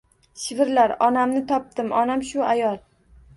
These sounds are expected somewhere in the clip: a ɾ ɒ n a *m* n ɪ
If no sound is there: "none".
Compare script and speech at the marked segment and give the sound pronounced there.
m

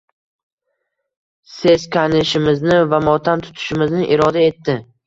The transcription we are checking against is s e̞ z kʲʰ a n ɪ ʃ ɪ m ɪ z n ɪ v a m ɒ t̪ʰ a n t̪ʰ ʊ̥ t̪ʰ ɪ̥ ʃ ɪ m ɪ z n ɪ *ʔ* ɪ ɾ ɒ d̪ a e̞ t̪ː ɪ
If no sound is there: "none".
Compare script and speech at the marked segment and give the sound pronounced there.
ʔ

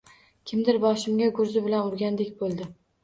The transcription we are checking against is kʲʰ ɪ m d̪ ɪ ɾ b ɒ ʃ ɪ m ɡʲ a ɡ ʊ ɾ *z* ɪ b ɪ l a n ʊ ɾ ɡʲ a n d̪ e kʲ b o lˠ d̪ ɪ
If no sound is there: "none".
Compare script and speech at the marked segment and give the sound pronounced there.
z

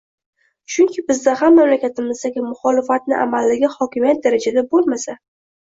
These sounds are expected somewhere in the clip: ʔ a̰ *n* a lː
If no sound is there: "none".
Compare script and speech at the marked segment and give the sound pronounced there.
m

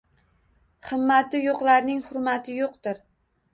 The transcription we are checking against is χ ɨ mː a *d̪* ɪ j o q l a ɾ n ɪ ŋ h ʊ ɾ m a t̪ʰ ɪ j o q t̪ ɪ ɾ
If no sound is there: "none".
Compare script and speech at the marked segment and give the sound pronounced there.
t̪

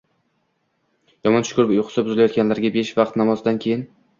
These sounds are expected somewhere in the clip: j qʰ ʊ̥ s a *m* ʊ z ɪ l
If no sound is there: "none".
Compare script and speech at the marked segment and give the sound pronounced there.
b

